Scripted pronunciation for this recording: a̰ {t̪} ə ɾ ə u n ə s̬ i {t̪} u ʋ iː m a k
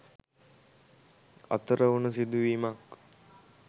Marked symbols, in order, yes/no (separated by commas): yes, no